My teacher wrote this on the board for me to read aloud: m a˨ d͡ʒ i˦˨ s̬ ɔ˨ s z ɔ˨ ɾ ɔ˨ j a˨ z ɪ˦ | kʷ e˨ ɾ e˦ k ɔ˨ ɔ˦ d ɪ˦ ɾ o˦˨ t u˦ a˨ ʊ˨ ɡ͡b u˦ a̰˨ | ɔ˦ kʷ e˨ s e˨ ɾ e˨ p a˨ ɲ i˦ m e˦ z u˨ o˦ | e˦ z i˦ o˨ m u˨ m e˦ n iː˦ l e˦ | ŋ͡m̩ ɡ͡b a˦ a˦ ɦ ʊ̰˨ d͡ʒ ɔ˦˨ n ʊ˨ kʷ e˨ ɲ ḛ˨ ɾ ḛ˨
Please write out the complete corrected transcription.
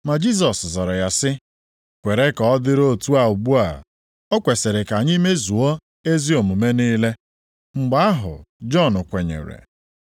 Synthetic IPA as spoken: m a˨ d͡ʒ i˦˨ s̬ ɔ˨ s z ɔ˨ ɾ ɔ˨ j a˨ s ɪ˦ | kʷ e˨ ɾ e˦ k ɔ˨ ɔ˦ d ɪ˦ ɾ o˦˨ t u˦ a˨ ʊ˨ ɡ͡b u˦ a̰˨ | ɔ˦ kʷ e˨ s e˨ ɾ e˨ k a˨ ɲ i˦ m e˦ z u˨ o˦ | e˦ z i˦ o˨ m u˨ m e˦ n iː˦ l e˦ | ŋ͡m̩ ɡ͡b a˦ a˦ ɦ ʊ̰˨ d͡ʒ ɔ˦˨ n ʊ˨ kʷ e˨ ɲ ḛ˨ ɾ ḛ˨